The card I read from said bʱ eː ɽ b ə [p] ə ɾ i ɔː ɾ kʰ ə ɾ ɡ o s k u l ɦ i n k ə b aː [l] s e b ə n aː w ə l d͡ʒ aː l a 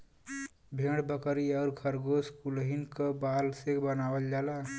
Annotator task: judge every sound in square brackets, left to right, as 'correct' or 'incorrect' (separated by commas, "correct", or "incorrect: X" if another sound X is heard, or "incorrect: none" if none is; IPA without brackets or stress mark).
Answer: incorrect: k, correct